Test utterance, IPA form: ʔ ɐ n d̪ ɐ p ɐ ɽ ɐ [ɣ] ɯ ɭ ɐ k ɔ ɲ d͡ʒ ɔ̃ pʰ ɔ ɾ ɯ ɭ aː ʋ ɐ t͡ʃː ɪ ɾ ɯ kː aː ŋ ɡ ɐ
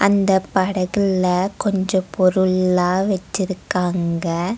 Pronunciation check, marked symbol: correct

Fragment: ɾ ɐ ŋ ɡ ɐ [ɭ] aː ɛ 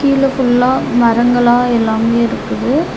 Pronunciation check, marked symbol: correct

